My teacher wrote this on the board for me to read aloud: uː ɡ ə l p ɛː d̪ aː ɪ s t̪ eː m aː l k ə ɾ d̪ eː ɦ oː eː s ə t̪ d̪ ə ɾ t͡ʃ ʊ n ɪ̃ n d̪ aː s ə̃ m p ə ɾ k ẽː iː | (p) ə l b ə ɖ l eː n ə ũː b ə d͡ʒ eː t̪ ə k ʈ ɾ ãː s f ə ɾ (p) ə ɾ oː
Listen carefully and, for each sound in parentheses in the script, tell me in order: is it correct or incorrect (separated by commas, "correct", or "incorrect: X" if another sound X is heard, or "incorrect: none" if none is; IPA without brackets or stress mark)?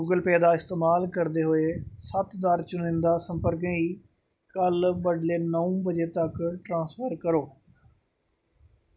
incorrect: k, incorrect: k